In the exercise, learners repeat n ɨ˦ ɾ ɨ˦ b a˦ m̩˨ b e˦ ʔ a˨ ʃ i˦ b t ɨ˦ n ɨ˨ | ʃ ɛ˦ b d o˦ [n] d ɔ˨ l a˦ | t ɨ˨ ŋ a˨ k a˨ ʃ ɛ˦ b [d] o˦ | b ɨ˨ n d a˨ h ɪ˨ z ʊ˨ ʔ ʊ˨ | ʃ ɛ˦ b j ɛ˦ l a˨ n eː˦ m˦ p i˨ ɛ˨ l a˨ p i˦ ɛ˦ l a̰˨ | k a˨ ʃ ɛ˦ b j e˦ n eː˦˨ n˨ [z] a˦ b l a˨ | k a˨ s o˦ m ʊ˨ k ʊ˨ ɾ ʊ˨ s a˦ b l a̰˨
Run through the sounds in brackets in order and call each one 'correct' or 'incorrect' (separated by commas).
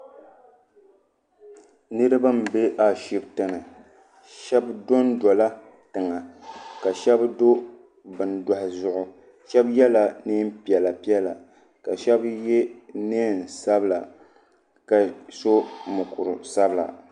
correct, correct, incorrect